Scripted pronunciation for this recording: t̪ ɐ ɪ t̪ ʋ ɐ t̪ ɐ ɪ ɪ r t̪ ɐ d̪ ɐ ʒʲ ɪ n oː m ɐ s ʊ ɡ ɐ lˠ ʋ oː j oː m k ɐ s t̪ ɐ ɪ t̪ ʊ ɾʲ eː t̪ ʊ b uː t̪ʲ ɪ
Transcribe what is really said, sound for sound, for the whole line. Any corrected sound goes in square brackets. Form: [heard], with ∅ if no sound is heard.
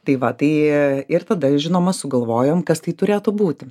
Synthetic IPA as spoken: t̪ ɐ ɪ [∅] ʋ ɐ t̪ ɐ ɪ ɪ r t̪ ɐ d̪ ɐ ʒʲ ɪ n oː m ɐ s ʊ ɡ ɐ lˠ ʋ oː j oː m k ɐ s t̪ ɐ ɪ t̪ ʊ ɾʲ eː t̪ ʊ b uː t̪ʲ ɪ